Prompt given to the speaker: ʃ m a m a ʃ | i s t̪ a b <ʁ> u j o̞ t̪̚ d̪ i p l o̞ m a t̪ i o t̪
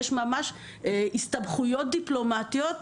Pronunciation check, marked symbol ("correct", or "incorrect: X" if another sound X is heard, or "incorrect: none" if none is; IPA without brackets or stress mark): incorrect: χ